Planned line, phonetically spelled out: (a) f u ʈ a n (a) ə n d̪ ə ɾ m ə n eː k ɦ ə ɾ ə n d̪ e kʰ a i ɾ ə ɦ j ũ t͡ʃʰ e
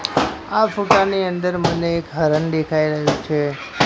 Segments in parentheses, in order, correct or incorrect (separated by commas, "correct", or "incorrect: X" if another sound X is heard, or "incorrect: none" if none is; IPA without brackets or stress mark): correct, incorrect: i